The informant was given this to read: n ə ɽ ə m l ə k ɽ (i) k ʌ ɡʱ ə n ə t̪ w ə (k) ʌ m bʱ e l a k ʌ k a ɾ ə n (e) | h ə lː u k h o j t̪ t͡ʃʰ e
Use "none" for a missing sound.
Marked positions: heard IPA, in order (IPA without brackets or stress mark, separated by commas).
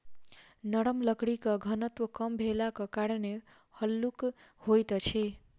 i, k, e